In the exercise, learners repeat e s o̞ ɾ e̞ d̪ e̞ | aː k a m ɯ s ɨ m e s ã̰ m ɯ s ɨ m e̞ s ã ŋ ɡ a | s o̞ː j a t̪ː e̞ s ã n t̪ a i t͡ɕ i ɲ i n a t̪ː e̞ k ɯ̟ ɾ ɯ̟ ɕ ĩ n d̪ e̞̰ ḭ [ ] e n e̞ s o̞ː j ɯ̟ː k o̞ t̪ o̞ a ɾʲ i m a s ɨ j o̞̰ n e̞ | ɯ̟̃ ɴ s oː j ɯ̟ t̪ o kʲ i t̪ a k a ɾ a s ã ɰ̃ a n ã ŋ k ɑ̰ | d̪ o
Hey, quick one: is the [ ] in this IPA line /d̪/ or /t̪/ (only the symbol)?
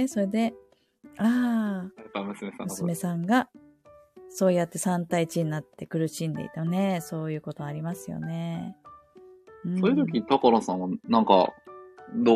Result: t̪